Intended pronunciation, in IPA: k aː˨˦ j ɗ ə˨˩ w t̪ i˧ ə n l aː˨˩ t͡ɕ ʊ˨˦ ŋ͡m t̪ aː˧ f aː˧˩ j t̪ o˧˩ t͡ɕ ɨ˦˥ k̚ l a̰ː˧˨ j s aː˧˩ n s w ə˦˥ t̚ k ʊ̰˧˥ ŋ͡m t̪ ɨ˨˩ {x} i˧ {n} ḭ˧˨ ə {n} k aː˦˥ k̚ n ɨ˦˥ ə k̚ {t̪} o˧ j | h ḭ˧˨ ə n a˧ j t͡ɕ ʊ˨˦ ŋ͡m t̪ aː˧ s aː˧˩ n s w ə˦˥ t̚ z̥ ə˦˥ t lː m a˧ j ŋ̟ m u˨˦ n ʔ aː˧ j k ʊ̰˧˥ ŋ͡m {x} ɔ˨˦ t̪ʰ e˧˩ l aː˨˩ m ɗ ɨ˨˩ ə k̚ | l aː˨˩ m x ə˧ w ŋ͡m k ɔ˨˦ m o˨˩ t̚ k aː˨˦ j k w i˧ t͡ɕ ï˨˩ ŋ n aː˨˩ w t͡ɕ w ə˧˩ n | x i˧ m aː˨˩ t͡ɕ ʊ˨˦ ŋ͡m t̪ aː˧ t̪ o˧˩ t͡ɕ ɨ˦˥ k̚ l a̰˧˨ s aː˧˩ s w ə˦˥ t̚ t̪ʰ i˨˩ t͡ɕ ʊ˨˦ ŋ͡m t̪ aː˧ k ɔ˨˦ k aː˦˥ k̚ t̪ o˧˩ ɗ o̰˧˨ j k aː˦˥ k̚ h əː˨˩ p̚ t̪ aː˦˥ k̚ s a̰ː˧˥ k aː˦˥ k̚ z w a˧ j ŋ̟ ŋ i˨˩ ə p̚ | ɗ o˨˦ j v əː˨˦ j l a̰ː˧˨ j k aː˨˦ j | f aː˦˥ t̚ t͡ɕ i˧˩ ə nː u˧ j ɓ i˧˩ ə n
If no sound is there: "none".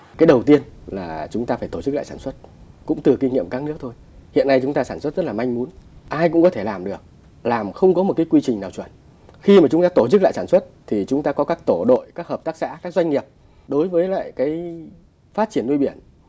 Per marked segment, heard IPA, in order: k, ŋ, m, t̪ʰ, k

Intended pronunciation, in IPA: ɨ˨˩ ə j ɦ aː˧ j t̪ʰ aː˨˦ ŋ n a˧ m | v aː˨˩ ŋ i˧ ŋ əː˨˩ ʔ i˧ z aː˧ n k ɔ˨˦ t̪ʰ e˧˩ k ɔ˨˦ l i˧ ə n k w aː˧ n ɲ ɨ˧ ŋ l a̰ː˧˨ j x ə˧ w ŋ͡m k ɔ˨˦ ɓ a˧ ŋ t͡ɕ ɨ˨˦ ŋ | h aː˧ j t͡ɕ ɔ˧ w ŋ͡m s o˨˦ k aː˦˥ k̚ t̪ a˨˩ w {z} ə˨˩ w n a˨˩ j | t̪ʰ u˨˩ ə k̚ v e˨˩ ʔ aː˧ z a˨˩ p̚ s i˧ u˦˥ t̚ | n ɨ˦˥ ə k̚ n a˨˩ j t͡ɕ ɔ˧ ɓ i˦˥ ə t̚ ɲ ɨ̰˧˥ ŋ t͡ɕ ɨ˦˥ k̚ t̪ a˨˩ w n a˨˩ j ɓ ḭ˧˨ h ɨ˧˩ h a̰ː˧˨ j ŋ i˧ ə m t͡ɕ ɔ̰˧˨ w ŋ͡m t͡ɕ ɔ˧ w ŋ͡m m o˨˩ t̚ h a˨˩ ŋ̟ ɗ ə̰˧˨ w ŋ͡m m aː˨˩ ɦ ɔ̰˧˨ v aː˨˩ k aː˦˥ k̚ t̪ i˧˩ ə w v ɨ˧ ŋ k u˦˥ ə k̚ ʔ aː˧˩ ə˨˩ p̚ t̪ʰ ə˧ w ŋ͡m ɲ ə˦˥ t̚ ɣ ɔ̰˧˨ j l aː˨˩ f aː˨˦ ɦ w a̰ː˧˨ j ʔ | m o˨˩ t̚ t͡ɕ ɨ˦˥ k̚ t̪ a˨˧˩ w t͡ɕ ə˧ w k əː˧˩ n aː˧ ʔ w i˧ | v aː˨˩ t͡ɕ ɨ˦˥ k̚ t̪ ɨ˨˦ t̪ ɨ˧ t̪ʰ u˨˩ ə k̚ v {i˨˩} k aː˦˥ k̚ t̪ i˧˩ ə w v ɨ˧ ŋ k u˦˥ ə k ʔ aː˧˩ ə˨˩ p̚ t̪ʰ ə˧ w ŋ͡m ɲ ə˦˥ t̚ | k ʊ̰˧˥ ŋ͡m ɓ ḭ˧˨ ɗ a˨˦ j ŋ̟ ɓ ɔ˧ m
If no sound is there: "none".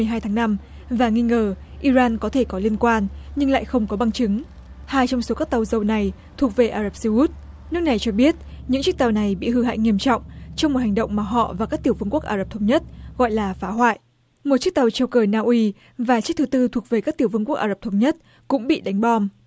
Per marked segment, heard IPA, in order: z, e˨˩

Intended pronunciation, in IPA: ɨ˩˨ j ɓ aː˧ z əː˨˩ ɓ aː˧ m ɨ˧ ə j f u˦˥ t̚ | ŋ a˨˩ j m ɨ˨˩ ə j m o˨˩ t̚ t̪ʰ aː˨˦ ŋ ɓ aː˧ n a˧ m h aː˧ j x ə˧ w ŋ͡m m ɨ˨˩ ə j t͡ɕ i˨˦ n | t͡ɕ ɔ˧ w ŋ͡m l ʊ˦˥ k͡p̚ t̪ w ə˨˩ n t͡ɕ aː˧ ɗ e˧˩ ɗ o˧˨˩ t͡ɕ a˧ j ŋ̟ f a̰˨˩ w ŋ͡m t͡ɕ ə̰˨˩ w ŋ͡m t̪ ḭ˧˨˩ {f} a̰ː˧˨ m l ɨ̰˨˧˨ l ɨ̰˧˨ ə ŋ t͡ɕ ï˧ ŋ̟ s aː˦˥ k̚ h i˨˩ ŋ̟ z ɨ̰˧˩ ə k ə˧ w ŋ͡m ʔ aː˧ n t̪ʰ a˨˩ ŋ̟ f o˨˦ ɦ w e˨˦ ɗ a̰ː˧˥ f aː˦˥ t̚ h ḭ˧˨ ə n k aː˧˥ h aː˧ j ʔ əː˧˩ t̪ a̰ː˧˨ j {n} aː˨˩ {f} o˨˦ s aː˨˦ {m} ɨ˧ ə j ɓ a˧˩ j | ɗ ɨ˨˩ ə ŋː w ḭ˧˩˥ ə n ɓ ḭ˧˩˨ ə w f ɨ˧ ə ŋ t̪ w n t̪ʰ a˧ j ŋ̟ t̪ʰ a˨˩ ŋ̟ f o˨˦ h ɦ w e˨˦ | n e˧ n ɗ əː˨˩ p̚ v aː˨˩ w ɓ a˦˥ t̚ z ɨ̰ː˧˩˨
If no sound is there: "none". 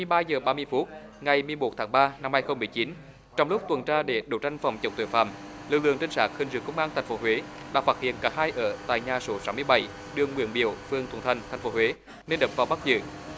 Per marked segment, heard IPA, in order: f, ɲ, s, m

